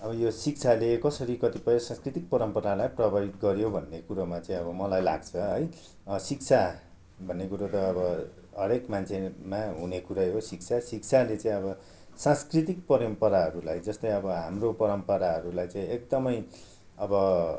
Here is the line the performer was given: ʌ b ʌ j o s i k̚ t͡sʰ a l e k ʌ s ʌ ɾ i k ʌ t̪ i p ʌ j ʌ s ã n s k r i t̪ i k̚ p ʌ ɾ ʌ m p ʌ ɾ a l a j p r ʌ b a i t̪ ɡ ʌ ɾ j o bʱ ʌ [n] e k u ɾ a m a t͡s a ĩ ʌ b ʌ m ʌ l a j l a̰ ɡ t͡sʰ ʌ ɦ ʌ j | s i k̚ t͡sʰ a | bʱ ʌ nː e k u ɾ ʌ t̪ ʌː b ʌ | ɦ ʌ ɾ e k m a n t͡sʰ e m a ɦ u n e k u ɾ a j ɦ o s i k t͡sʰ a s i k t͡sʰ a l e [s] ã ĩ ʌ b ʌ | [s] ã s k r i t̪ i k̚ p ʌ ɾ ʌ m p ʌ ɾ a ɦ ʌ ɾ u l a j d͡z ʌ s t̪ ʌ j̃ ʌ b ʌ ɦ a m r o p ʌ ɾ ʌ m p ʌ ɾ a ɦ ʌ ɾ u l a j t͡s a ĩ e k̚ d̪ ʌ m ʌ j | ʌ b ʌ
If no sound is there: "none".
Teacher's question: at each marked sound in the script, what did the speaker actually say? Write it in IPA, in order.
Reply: nː, t͡s, s

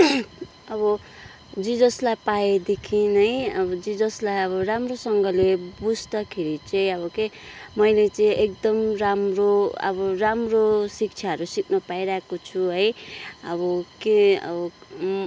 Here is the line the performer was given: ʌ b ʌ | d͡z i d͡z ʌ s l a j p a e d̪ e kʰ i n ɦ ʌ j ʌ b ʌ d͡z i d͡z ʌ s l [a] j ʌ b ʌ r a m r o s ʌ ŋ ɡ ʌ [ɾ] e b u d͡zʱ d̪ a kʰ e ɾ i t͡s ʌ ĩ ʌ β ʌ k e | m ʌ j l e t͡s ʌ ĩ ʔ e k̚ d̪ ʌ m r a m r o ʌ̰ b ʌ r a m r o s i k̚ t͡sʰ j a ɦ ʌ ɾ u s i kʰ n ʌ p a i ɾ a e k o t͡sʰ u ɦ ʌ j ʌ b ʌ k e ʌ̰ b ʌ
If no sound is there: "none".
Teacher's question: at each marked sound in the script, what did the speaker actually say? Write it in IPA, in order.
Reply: a, l

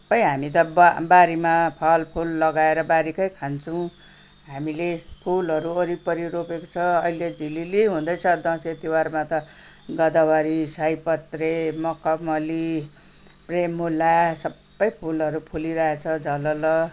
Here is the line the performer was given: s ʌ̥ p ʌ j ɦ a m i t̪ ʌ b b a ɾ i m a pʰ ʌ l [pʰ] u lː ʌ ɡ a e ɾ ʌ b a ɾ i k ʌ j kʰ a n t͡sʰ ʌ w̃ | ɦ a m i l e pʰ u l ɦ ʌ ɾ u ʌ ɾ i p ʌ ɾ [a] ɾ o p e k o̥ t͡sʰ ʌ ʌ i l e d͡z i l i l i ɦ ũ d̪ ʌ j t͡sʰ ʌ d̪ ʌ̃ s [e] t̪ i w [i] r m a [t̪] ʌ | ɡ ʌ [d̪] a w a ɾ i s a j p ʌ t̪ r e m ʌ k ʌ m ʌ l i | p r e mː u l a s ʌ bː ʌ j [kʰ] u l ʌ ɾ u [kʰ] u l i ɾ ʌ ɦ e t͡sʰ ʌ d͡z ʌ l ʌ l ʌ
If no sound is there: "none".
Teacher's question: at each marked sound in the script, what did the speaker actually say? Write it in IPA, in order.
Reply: pʰ, i, e, a, t̪, d̪, pʰ, pʰ

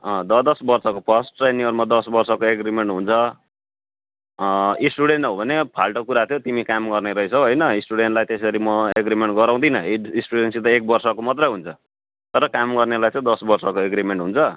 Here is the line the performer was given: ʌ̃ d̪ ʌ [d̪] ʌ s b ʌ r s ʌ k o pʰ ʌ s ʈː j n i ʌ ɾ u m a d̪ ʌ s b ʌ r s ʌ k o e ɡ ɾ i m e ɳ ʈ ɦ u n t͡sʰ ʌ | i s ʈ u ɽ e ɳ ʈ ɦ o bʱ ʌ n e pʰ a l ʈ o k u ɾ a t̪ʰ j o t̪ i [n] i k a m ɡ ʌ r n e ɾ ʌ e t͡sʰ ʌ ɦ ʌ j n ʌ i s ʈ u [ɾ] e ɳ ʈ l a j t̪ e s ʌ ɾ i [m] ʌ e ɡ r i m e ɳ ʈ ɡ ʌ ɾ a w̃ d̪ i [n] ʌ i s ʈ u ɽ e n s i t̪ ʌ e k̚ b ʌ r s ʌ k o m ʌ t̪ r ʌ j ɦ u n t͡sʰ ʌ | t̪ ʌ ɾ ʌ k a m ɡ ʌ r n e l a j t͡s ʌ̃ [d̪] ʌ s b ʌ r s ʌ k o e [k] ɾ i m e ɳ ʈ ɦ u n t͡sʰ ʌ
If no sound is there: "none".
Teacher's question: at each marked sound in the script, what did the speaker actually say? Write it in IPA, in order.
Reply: d̪, m, ɽ, m, n, d̪, ɡ

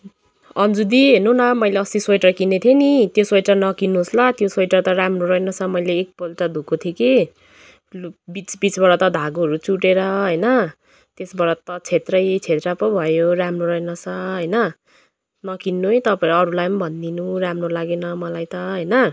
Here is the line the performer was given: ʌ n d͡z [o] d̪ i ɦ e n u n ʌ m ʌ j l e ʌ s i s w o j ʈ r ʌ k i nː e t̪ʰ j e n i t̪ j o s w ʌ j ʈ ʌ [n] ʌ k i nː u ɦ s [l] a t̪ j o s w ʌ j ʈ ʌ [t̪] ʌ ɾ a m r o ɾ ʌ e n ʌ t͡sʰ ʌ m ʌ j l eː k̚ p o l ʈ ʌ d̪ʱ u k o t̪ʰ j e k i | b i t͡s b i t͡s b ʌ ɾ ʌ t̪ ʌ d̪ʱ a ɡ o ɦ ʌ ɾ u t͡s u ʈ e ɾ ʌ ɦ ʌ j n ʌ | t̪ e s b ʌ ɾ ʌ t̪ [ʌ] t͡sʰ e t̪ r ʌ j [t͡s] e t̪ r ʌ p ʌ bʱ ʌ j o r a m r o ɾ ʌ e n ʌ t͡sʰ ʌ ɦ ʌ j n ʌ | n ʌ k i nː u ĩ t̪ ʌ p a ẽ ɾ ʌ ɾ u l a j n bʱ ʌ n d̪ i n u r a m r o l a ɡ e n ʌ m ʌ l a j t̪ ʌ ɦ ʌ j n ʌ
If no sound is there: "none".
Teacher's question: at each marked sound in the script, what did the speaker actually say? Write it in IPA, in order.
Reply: u, n, l, t̪, ʌ, t͡sʰ

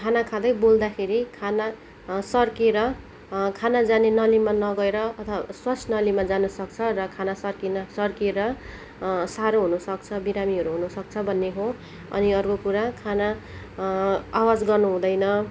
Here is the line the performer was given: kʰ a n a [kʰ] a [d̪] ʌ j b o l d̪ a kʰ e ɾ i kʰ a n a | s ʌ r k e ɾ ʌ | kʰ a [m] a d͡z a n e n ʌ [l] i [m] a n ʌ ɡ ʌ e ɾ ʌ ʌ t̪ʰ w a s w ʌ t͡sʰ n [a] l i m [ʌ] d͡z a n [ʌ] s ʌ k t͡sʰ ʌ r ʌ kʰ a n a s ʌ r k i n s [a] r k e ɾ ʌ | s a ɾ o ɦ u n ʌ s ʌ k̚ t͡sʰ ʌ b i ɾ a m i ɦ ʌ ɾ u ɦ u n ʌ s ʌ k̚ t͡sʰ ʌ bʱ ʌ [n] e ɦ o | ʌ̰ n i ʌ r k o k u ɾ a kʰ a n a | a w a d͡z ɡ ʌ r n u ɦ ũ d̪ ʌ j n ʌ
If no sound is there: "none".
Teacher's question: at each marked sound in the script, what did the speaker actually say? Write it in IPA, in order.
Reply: kʰ, d̪, n, l, m, ʌ, a, ʌ, ʌ, nː

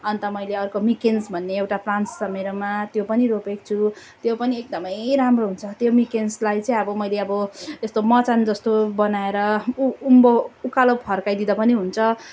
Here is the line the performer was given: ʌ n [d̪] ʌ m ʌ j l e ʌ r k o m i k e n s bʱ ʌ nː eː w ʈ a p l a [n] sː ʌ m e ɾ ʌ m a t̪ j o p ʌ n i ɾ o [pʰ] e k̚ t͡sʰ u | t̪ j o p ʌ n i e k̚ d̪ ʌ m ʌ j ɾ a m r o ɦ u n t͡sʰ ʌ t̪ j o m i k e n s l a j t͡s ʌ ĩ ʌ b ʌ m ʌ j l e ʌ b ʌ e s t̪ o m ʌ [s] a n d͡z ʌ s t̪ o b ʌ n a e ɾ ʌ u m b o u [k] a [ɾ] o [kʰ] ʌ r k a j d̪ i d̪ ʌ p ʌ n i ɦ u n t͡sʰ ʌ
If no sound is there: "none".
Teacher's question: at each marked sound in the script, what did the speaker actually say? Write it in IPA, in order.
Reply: t̪, n, p, t͡s, k, l, pʰ

